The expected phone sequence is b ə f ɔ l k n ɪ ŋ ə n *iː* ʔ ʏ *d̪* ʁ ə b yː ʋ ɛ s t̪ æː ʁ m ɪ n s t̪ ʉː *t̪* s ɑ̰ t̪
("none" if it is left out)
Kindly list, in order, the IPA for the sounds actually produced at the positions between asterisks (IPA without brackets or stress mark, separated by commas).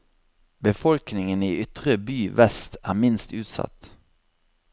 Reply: iː, t̪, t̪